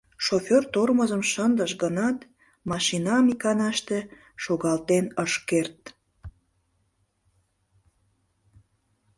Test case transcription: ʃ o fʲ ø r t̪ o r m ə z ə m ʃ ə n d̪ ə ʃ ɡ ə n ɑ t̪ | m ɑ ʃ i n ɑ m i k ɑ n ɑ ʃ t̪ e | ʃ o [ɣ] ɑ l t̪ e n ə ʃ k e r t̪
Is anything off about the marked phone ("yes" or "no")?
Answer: no